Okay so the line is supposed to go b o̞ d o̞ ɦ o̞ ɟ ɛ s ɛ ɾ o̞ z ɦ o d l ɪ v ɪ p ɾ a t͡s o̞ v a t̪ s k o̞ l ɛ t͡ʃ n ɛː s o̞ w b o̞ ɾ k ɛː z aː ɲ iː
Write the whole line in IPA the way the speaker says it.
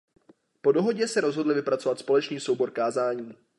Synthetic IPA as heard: p o̞ d o̞ ɦ o̞ ɟ ɛ s ɛ ɾ o̞ z ɦ o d l ɪ v ɪ p ɾ a t͡s o̞ v a t̪ s p o̞ l ɛ t͡ʃ n iː s o̞ w b o̞ ɾ k aː z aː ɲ iː